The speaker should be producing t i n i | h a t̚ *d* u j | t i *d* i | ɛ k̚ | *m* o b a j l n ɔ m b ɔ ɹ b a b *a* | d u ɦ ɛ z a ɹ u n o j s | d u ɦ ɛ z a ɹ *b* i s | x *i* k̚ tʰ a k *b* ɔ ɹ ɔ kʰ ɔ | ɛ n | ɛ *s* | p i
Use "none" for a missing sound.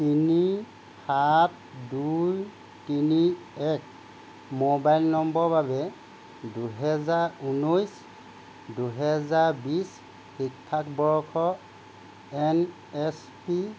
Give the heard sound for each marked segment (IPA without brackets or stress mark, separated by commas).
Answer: d, n, m, ɛ, b, i, b, s